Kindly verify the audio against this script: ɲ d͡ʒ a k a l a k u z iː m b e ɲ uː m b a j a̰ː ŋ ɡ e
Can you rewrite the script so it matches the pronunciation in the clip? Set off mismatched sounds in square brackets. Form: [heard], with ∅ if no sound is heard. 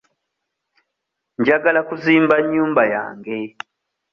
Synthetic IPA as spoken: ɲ d͡ʒ a [ɡ] a l a k u z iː m b [a] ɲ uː m b a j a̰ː ŋ ɡ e

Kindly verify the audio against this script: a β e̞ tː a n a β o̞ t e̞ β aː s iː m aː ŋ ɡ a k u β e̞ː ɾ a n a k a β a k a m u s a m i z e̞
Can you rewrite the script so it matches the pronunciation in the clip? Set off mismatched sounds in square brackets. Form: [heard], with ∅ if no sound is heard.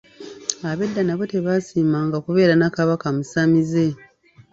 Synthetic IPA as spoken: a β e̞ [dː] a n a β o̞ t e̞ β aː s iː m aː ŋ ɡ a k u β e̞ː ɾ a n a k a β a k a m u s a m i z e̞

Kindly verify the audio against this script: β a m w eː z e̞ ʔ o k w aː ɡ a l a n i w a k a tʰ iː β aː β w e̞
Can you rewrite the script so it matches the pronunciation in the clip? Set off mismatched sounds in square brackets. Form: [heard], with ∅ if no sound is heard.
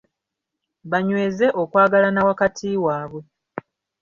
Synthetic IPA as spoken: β a [ɲ] w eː z e̞ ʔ o k w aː ɡ a l a n [a] w a k a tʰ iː [w] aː β w e̞

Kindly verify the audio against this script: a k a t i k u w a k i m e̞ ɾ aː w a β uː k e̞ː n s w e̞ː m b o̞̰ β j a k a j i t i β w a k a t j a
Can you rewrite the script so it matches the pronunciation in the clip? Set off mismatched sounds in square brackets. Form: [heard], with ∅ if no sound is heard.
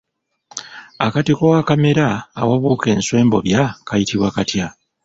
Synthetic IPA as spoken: a k a t i k [o] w a k [a] m e̞ ɾ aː w a β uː k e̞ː n s w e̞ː m b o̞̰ β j a k a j i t i β w a k a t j a

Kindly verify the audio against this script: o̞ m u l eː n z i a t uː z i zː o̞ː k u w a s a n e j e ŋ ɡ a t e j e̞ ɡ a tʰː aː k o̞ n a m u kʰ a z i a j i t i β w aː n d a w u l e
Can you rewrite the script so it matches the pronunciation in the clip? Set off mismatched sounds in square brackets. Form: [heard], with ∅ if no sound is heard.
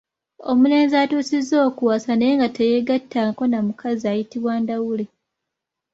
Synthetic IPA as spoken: o̞ m u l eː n z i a t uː [s] i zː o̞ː k u w a s a n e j e ŋ ɡ a t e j e̞ ɡ a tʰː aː k o̞ n a m u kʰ a z i a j i t i β w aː n d a w u l e

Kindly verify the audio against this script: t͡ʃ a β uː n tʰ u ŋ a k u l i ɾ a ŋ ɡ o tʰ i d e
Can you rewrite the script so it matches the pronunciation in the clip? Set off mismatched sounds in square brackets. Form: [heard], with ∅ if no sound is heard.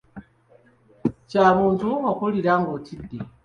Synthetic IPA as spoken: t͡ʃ a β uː n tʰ u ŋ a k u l i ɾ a ŋ ɡ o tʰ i d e

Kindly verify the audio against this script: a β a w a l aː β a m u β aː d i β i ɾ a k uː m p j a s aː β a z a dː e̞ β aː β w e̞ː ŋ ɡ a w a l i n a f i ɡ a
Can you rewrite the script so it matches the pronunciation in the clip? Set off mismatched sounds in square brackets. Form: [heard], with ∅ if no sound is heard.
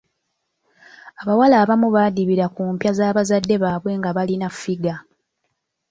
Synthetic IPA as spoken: a β a w a l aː β a m u β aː d i β i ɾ a k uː m p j a [z] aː β a z a dː e̞ β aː β w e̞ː ŋ ɡ a [β] a l i n a f i ɡ a

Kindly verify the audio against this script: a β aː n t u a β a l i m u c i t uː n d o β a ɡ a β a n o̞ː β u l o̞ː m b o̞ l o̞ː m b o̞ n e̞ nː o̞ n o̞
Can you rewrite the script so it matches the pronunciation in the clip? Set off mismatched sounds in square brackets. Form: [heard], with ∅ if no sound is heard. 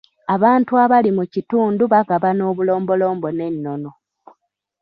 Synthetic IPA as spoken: a β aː n t u a β a l i m u c i t uː n d [u] β a ɡ a β a n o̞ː β u l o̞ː m b o̞ l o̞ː m b o̞ n e̞ nː o̞ n o̞

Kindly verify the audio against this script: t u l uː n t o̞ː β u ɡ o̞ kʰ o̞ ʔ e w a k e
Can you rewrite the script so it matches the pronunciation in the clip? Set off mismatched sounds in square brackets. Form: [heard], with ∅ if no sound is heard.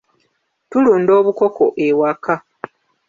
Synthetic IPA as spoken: t u l uː n [d] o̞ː β u [k] o̞ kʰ o̞ ʔ e w a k [a]

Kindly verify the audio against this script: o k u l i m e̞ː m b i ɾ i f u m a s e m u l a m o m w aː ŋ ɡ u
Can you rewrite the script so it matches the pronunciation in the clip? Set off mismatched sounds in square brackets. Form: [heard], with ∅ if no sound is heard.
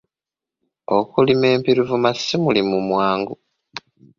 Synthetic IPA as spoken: o k u l i m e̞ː m [p] i ɾ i [v] u m a s [i] m u l [i] m [u] m w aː ŋ ɡ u

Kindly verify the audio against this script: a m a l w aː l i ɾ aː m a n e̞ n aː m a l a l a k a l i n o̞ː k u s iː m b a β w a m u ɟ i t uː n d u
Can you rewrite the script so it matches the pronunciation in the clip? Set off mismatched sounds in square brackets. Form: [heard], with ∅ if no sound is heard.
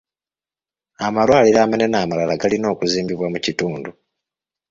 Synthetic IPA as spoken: a m a l w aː l i ɾ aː m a n e̞ n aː m a l a l a [ɡ] a l i n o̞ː k u [z] iː m b [i] β w a m u [c] i t uː n d u

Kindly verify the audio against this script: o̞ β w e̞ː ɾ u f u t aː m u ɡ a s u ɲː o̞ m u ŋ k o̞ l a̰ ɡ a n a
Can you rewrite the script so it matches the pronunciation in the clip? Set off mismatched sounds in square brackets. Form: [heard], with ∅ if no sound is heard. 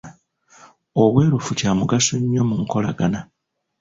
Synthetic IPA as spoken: o̞ β w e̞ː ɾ u f u [c] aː m u ɡ a s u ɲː o̞ m u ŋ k o̞ l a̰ ɡ a n a

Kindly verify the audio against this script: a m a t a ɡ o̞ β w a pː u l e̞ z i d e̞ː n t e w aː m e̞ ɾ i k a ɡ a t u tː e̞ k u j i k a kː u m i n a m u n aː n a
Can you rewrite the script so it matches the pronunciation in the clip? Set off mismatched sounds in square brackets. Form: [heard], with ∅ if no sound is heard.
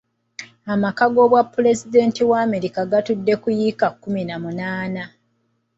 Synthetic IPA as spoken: a m a [k] a ɡ o̞ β w a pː u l e̞ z i d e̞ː n t [i] w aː m e̞ ɾ i k a ɡ a t u [dː] e̞ k u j i k a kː u m i n a m u n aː n a

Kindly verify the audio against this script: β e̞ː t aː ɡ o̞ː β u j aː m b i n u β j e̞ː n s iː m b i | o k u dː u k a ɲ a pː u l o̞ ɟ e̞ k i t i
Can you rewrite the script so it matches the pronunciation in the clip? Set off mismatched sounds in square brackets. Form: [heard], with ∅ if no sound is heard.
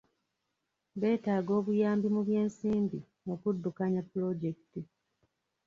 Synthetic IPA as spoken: β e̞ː t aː ɡ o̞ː β u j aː m b i [m] u β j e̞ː n s iː m b i | o k u dː u k a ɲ a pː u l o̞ ɟ e̞ k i t i

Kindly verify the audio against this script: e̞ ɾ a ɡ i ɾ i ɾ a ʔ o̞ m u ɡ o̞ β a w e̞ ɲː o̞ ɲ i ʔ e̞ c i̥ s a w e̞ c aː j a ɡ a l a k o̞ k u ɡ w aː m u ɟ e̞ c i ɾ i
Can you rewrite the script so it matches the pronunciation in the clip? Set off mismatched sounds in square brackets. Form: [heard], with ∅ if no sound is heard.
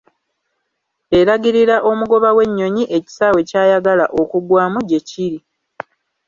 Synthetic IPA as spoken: e̞ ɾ a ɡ i ɾ i ɾ a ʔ o̞ m u ɡ o̞ β a w e̞ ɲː o̞ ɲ i ʔ e̞ c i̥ s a w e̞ c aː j a ɡ a l a [ʔ] o̞ k u ɡ w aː m u ɟ e̞ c i ɾ i

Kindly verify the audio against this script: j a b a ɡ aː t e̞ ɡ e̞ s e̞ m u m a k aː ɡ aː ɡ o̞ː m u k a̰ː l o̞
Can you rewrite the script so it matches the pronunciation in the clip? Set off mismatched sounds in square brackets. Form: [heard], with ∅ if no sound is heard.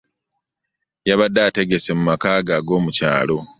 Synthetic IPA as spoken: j a [β] a [d] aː t e̞ ɡ e̞ s e̞ m u m a k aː ɡ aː ɡ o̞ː m u [c] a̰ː l o̞

